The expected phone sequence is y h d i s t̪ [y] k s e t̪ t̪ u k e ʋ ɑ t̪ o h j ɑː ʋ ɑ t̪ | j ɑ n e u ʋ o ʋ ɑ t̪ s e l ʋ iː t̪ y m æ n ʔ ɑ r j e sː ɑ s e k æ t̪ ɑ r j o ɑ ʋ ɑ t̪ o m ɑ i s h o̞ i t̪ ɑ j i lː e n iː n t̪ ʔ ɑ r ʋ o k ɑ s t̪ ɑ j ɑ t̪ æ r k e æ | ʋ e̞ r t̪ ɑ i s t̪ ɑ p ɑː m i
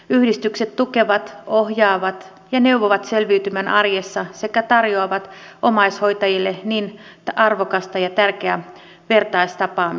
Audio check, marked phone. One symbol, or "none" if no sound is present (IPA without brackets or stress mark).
y